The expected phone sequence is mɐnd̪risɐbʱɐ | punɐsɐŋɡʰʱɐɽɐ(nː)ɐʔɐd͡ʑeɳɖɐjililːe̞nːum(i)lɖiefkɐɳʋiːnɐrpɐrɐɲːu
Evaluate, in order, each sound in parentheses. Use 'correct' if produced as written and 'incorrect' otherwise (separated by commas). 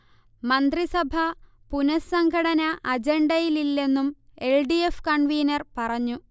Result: incorrect, incorrect